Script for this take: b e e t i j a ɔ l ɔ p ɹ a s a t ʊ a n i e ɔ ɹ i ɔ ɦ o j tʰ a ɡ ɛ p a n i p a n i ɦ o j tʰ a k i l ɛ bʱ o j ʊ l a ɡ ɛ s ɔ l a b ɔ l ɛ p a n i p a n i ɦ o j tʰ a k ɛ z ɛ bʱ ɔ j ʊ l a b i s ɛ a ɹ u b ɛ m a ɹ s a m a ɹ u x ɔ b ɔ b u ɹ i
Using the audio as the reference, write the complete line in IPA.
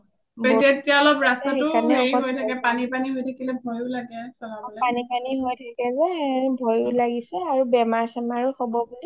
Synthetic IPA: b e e t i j a ɔ l ɔ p ɹ a s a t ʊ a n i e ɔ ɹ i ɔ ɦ o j tʰ a k ɛ p a n i p a n i ɦ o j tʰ a k i l ɛ bʱ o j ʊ l a ɡ ɛ s ɔ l a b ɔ l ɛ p a n i p a n i ɦ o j tʰ a k ɛ z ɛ bʱ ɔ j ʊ l a ɡ i s ɛ a ɹ u b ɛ m a ɹ s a m a ɹ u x ɔ b ɔ b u l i

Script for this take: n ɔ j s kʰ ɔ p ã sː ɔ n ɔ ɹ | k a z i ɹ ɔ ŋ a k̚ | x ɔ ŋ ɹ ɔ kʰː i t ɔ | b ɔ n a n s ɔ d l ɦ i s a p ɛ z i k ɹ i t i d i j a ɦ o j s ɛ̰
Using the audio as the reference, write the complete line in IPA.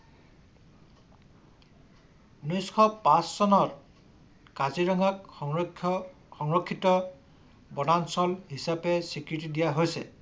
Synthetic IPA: n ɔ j s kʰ ɔ p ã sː ɔ n ɔ ɹ | k a z i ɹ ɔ ŋ a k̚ | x ɔ ŋ ɹ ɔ kʰː i t ɔ | b ɔ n a n s ɔ l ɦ i s a p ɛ s i k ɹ i t i d i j a ɦ o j s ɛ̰

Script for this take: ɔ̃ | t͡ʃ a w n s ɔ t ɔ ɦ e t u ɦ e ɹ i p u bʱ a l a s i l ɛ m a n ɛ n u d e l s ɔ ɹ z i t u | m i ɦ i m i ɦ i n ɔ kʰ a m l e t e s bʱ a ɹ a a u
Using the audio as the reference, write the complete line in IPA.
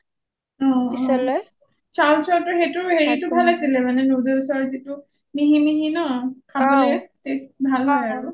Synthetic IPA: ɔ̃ | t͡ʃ a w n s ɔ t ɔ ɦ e t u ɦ e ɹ i t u bʱ a l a s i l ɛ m a n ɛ n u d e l s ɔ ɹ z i t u | m i ɦ i m i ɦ i n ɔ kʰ a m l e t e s bʱ a l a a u

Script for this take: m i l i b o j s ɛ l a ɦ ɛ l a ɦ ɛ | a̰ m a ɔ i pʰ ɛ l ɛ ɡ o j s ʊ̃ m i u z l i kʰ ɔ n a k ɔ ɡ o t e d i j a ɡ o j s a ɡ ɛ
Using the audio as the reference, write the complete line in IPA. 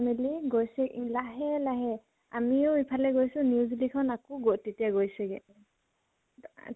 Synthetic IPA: m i l i ɡ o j s ɛ l a ɦ ɛ l a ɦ ɛ | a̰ m i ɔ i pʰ a l ɛ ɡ o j s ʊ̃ n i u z l i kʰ ɔ n a k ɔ ɡ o t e t i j a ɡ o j s ɛ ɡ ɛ

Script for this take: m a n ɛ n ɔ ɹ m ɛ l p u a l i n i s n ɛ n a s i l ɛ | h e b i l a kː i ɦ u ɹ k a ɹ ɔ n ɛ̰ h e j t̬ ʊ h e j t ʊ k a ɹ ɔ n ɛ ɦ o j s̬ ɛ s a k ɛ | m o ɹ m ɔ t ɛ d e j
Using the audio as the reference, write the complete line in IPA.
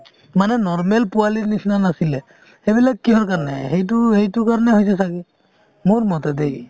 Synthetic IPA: m a n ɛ n ɔ ɹ m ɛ l p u a l i n i s n a n a s i l ɛ | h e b i l a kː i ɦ ɔ ɹ k a ɹ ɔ n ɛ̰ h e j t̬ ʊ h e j t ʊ k a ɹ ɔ n ɛ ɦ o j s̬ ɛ s a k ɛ | m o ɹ m ɔ t ɛ d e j

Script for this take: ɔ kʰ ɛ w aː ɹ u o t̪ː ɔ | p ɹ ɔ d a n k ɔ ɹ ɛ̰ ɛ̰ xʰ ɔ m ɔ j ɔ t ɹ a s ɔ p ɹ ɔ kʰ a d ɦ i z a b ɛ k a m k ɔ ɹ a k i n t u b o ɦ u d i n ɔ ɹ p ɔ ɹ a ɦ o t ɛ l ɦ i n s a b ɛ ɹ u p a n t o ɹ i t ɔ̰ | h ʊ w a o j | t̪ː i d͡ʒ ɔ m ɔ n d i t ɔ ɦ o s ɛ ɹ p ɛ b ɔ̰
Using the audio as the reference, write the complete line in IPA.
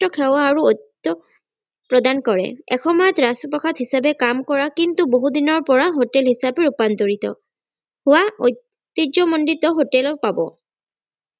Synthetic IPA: ɔ kʰ ɛ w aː ɹ u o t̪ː ɔ | p ɹ ɔ d a n k ɔ ɹ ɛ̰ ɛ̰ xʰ ɔ m ɔ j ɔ t ɹ a s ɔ p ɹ ɔ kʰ a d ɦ i s a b ɛ k a m k ɔ ɹ a k i n t u b o ɦ u d i n ɔ ɹ p ɔ ɹ a ɦ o t ɛ l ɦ i s a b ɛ ɹ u p a n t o ɹ i t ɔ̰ | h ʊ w a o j | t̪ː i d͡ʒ ɔ m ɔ n d i t ɔ ɦ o t ɛ l p a b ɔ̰

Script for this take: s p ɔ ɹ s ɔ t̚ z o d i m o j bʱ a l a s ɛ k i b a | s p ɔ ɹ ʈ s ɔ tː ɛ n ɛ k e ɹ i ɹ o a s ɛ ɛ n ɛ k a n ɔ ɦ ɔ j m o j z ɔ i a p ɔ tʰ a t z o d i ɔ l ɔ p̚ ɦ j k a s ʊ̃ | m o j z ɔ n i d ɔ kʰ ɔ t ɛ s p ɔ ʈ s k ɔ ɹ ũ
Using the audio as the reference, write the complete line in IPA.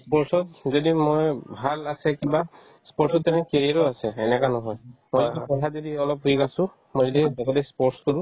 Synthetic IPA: s p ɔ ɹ s ɔ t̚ z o d i m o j bʱ a l a s ɛ k i b a | s p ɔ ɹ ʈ s ɔ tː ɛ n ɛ k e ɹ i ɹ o a s ɛ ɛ n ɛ k a n ɔ ɦ ɔ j m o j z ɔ i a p ɔ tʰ a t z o d i ɔ l ɔ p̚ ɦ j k a s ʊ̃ | m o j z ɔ d i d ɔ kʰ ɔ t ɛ s p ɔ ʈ s k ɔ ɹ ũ

